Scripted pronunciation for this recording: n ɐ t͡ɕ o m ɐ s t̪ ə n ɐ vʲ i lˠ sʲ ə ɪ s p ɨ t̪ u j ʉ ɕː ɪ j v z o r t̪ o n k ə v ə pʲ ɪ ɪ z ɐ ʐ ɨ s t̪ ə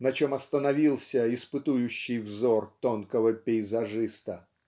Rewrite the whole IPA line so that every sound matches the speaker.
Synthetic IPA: n ɐ t͡ɕ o m ɐ s t̪ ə n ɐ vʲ i lˠ sʲ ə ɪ s p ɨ t̪ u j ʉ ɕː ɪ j v z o r t̪ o n k ə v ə pʲ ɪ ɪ z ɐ ʐ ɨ s t̪ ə